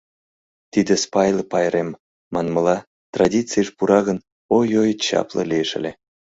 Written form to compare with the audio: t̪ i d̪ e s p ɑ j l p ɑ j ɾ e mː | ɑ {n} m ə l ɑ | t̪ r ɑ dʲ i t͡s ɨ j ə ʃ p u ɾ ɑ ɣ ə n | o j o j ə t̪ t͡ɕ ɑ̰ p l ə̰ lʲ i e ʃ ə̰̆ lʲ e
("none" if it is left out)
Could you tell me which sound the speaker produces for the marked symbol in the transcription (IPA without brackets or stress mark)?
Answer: n